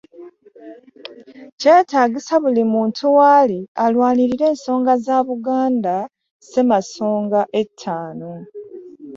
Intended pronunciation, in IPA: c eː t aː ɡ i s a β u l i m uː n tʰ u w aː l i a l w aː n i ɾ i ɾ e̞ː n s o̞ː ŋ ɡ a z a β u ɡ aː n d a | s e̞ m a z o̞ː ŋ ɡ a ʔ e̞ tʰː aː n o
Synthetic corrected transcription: c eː t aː ɡ i s a β u l i m uː n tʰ u w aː l i a l w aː n i ɾ i ɾ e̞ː n s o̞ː ŋ ɡ a z a β u ɡ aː n d a | s e̞ m a s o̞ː ŋ ɡ a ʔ e̞ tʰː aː n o